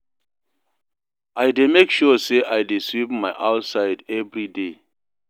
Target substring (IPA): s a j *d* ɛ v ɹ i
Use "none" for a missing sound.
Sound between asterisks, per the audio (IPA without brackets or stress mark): d